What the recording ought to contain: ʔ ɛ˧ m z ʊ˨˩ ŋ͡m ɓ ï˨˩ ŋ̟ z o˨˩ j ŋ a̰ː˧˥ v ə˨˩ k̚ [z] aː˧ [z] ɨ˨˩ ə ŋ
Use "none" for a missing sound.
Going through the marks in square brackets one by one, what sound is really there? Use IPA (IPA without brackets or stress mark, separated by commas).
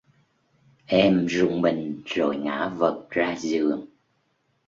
z, z